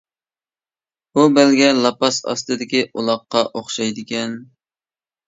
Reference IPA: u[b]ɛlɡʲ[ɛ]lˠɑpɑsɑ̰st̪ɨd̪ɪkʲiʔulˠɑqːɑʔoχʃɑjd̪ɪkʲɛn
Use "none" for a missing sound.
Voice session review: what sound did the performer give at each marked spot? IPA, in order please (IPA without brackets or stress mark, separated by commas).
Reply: b, ɛ